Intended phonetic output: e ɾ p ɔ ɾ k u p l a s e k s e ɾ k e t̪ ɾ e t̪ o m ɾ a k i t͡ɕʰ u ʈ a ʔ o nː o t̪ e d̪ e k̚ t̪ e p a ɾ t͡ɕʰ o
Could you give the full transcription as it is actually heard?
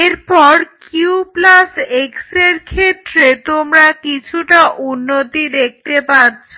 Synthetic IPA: e ɾ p ɔ ɾ k u p l a s e k s e ɾ kʰ e t̪ ɾ e t̪ o m ɾ a k i t͡ɕʰ u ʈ a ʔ u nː o t̪ i d̪ e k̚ t̪ e p a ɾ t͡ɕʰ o